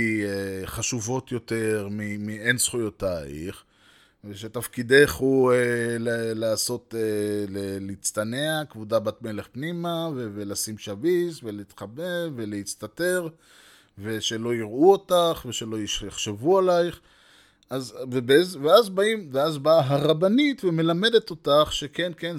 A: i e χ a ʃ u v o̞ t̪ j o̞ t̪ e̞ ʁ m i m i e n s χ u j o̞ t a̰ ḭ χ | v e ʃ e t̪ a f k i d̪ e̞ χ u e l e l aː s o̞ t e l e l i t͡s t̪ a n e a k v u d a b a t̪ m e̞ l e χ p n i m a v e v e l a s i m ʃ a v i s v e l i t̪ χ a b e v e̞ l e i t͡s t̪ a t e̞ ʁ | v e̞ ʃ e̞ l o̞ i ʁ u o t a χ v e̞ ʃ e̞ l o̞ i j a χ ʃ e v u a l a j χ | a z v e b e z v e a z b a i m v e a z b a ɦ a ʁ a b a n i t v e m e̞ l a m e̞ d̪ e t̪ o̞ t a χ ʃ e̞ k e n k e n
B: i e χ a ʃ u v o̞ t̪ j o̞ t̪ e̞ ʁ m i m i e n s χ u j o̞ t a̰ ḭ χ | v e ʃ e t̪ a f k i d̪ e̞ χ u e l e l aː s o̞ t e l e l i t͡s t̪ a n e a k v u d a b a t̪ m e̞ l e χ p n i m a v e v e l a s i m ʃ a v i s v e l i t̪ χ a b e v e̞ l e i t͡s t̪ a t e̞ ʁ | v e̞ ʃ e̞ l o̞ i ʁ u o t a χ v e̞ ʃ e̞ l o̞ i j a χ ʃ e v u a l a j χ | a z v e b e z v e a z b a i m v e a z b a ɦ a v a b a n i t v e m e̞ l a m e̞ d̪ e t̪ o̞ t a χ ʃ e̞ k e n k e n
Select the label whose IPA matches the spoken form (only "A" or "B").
A